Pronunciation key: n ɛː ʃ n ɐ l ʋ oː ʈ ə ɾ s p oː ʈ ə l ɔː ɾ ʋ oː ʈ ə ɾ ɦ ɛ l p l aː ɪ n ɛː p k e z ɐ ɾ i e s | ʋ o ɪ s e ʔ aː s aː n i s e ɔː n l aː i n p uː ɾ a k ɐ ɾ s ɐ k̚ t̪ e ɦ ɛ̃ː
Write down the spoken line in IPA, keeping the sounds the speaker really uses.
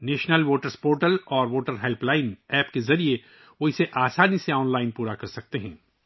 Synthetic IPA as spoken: n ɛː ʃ n ə l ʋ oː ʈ ə ɾ s p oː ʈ ə l ɔː ɾ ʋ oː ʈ ə ɾ ɦ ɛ l p l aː ɪ n ɛː p k e z ɐ ɾ i e | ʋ o ɪ s e ʔ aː s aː n i s e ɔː n l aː ɪ n p uː ɾ a k ɐ ɾ s ɐ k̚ t̪ e ɦ ɛ̃ː